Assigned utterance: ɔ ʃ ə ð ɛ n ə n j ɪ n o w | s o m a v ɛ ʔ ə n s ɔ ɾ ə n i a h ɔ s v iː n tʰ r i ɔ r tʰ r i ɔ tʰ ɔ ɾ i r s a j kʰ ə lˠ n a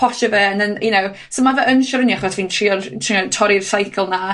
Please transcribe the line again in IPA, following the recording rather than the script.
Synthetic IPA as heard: ɔ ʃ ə v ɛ n ə n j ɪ n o w | s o m a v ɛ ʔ ə n ʃ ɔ ɾ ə n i a χ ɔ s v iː n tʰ r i ɔ r tʰ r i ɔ tʰ ɔ ɾ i r s a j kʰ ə lˠ n a